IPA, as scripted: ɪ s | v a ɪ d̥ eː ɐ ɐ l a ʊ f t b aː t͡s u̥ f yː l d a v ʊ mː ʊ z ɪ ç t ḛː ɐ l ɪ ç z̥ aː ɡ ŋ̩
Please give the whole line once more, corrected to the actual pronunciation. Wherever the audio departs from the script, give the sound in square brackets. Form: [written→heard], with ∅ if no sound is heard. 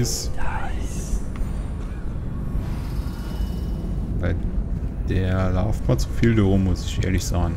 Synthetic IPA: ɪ s | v a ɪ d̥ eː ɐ ɐ l a ʊ f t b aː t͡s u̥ f [yː→iː] l d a [v→ʁ] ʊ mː ʊ [z→s] ɪ ç [t→ʔ] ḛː ɐ l ɪ ç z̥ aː ɡ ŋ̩